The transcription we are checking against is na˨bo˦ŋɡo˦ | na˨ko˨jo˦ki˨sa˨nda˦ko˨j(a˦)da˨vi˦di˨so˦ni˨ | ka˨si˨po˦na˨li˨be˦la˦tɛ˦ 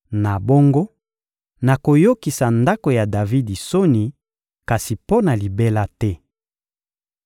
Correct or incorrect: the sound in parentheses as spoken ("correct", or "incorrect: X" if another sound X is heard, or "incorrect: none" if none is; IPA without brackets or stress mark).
incorrect: a˨